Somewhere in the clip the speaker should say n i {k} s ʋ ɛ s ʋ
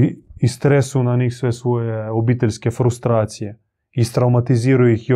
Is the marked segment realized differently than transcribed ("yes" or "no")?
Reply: yes